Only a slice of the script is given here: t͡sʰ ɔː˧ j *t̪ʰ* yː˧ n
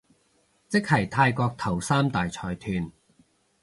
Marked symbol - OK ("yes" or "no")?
yes